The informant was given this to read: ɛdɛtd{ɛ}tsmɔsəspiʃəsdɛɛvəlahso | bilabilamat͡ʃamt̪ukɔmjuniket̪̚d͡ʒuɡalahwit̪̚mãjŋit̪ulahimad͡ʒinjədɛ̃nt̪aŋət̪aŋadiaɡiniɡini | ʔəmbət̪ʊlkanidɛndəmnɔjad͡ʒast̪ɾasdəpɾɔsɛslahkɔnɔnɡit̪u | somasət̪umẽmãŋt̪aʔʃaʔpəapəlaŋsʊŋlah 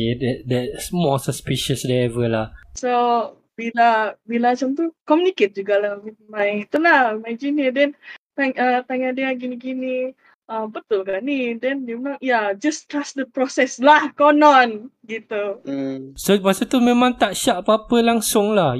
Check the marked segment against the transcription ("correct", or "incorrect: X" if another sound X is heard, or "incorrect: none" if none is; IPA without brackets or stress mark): correct